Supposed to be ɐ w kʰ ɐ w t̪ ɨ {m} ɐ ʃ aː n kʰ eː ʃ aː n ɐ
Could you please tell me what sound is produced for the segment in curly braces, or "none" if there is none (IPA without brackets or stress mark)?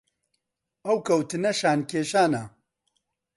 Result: n